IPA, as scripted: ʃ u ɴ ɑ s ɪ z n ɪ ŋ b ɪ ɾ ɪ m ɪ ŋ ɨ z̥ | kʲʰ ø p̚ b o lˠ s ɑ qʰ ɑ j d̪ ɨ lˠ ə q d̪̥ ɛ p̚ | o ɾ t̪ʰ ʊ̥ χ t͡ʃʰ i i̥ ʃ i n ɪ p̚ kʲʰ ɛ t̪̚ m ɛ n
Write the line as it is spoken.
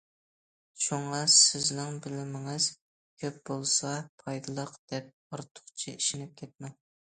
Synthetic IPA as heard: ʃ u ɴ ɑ s ɪ z n ɪ ŋ b ɪ l ɪ m ɪ ŋ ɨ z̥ | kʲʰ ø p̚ b o lˠ s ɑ pʰ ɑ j d̪ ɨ lˠ ə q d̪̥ ɛ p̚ | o ɾ t̪ʰ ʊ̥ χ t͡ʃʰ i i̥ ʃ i n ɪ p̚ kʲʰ ɛ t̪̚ m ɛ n